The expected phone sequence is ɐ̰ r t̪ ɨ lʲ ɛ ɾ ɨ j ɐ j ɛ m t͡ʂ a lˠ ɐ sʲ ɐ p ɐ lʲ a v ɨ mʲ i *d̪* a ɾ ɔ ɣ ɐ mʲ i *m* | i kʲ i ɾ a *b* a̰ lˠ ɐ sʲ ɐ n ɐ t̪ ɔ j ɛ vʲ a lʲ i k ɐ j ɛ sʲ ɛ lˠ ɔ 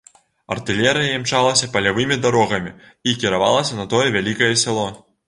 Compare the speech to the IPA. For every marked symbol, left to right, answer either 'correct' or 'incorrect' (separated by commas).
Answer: correct, incorrect, incorrect